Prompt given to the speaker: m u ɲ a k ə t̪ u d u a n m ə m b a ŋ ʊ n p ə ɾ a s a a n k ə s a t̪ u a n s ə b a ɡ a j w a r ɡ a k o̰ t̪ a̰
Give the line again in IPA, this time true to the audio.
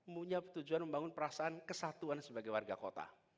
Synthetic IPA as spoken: m u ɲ a p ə t̪ u d͡ʒ u a n m ə m b a ŋ ʊ n p ə ɾ a s a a n k ə s a t̪ u a n s ə b a ɡ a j w a r ɡ a k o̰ t̪ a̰